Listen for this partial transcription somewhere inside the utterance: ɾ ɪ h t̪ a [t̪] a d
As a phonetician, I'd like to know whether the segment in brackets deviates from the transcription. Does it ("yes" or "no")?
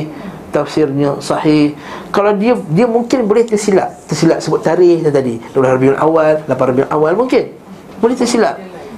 no